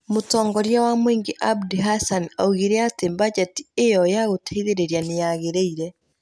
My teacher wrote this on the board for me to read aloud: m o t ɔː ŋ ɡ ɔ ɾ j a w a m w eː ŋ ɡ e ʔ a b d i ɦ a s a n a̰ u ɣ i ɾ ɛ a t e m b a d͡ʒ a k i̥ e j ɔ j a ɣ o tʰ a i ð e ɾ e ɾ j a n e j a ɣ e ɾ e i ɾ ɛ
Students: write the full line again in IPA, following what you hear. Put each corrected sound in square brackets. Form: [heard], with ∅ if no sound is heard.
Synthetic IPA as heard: m o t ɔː ŋ ɡ ɔ ɾ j a w a m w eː ŋ ɡ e ʔ a b d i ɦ a s a n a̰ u ɣ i ɾ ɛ a t e m b a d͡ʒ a [t] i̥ e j ɔ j a ɣ o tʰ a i ð e ɾ e ɾ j a n e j a ɣ e ɾ e i ɾ ɛ